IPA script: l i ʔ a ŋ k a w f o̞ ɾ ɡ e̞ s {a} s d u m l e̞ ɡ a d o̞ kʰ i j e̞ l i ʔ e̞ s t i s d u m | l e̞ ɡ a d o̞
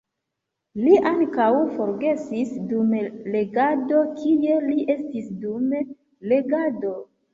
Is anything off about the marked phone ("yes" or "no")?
yes